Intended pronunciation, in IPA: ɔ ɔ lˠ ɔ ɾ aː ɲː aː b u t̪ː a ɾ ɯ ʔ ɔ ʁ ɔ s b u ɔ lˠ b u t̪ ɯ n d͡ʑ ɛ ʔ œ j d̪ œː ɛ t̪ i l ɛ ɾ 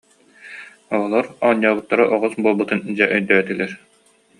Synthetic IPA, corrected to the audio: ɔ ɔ lˠ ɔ ɾ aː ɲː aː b ɯ t̪ː a ɾ ɯ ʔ ɔ ʁ ɔ s b u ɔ lˠ b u t̪ ɯ n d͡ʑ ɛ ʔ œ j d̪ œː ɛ t̪ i l ɛ ɾ